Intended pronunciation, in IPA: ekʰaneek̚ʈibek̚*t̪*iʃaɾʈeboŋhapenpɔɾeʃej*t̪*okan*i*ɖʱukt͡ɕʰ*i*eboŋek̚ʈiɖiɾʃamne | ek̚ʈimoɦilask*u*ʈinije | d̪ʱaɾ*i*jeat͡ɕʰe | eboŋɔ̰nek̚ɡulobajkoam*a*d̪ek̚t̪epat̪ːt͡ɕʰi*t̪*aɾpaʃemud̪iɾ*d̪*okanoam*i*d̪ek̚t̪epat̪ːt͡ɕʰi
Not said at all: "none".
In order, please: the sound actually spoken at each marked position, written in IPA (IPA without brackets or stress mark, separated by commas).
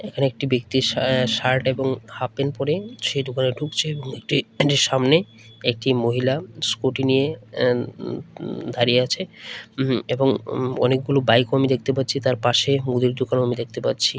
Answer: t̪, d̪, e, e, o, i, i, t̪, d̪, i